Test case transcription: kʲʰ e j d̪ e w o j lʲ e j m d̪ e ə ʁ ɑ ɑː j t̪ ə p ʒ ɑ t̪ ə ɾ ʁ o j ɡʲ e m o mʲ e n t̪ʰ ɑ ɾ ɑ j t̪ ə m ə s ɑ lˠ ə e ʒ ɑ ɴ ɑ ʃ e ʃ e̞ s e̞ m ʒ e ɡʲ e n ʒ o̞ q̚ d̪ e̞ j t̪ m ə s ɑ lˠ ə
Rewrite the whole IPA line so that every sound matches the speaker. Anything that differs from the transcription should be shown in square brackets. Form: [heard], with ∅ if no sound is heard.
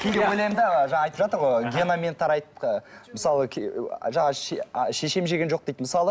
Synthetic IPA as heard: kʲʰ e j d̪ e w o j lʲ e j m d̪ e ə [ʒ] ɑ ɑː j t̪ ə p ʒ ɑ t̪ ə ɾ ʁ o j ɡʲ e [n] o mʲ e n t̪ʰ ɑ ɾ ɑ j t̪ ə m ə s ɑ lˠ ə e ʒ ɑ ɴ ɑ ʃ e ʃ e̞ [ʃ] e̞ m ʒ e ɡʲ e n ʒ o̞ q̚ d̪ e̞ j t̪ m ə s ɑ lˠ ə